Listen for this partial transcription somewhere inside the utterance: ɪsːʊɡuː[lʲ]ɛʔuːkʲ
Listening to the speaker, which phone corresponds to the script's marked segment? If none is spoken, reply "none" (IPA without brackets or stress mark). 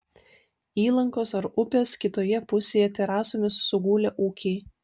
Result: lʲ